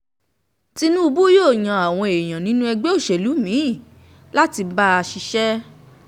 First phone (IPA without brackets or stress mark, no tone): t